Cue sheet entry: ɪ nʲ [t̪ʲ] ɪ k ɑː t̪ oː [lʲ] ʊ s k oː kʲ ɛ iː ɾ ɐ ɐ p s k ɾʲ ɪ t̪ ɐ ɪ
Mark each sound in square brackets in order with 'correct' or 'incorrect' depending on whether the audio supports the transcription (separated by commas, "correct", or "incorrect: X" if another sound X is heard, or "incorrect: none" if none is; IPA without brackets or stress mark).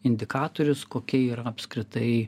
incorrect: d̪ʲ, incorrect: ɾʲ